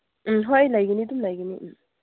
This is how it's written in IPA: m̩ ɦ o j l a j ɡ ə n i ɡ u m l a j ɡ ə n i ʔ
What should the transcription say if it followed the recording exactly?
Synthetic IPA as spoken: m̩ ɦ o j l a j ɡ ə n i d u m l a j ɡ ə n i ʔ